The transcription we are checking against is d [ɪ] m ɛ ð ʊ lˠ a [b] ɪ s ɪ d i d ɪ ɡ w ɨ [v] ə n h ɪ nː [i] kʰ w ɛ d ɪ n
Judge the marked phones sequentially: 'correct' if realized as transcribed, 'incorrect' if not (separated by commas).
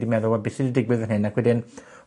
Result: incorrect, correct, incorrect, incorrect